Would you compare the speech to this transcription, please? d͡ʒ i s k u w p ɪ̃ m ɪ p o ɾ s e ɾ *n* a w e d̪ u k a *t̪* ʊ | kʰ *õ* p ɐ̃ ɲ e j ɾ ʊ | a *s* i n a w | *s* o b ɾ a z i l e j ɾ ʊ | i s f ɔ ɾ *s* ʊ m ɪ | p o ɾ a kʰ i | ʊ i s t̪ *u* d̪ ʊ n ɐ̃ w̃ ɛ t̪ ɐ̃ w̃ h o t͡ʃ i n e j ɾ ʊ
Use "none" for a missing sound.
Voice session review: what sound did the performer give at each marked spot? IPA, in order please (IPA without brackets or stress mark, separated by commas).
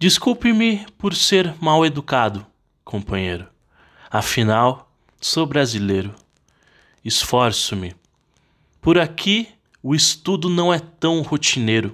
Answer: m, d̪, õ, f, s, s, u